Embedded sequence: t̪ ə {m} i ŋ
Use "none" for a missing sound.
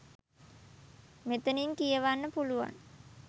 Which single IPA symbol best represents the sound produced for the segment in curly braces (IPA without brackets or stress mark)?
n